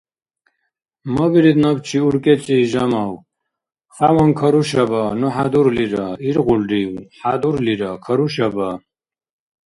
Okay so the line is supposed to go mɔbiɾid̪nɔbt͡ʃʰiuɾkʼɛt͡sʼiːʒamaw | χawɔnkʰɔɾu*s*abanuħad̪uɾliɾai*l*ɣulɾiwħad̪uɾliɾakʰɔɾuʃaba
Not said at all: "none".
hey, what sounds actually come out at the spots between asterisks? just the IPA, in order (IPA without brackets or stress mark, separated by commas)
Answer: ʃ, ɾ